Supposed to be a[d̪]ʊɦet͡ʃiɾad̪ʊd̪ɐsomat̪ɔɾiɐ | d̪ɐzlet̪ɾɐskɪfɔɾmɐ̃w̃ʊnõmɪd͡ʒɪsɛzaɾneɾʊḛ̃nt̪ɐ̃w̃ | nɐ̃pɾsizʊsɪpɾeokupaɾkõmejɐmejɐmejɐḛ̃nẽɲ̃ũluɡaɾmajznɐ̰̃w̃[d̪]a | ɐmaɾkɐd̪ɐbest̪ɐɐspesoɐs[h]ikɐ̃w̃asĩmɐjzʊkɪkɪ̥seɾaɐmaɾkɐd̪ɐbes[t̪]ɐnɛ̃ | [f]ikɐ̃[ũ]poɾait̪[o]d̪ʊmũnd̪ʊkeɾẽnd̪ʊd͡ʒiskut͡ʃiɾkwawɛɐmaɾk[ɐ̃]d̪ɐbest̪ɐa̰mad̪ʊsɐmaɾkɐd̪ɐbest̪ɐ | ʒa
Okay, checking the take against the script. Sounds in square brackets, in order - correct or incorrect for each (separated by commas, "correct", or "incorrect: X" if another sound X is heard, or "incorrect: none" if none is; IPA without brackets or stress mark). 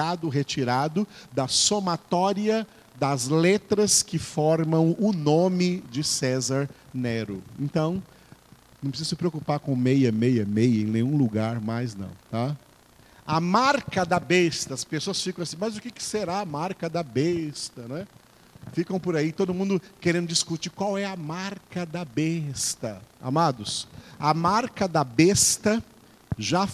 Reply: correct, incorrect: t̪, incorrect: f, correct, correct, incorrect: w̃, correct, incorrect: ɐ